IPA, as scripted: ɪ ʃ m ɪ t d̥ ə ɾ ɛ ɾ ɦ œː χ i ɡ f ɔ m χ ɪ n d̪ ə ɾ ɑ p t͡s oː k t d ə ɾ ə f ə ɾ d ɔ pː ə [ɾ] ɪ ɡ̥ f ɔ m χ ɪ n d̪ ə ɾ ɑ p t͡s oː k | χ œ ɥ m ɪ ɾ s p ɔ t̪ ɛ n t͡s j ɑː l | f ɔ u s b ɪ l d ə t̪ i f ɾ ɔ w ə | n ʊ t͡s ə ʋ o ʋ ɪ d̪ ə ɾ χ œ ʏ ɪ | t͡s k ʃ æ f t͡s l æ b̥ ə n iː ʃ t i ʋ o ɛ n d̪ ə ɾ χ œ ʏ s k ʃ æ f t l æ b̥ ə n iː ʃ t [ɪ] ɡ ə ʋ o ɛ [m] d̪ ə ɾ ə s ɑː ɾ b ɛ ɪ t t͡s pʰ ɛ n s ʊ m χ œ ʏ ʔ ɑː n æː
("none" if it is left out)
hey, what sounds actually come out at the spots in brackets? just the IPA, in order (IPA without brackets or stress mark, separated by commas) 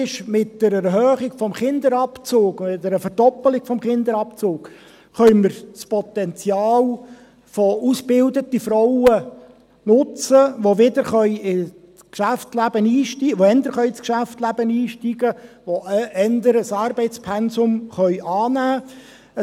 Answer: l, i, n